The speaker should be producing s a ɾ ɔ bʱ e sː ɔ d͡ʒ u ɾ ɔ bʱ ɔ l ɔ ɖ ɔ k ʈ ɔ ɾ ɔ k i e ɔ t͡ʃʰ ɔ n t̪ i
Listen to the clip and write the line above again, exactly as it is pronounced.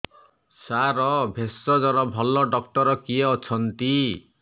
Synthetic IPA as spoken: s a ɾ ɔ bʱ e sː ɔ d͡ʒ ɔ ɾ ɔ bʱ ɔ l ɔ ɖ ɔ k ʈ ɔ ɾ ɔ k i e ɔ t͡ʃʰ ɔ n t̪ i

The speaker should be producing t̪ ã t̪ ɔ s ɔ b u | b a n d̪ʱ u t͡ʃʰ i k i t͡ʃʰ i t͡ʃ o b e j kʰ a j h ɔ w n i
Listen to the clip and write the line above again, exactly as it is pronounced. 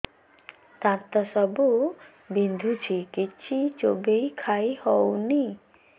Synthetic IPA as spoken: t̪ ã t̪ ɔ s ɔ b u | b i n d̪ʱ u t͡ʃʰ i k i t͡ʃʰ i t͡ʃ o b e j kʰ a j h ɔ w n i

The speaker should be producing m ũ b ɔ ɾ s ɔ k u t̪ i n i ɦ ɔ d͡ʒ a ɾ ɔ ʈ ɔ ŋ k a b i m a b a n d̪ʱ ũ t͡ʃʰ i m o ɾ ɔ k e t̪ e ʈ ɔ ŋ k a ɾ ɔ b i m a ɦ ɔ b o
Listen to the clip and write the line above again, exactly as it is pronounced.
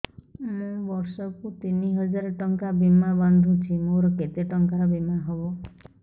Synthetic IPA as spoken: m ũ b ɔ ɾ s ɔ k u t̪ i n i ɦ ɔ d͡ʒ a ɾ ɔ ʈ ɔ ŋ k a b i m a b a n d̪ʱ ũ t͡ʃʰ i m o ɾ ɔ k e t̪ e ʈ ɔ ŋ k a ɾ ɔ b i m a ɦ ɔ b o

